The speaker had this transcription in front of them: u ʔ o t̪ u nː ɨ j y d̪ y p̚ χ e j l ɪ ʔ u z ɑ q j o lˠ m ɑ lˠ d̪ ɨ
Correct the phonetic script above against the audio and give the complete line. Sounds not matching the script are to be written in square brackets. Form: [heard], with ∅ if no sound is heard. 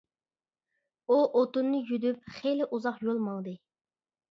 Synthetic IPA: u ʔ o t̪ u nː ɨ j y d̪ y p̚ χ e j l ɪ ʔ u z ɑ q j o lˠ m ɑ lˠ d̪ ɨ